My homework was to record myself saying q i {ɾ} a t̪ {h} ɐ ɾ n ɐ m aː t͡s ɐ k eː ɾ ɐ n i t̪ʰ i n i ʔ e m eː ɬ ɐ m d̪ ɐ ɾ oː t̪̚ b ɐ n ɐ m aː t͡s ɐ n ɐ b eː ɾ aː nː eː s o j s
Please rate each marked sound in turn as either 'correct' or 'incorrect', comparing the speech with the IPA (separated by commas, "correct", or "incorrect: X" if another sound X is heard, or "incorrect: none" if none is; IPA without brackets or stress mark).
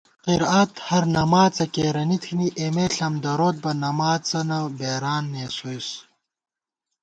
correct, correct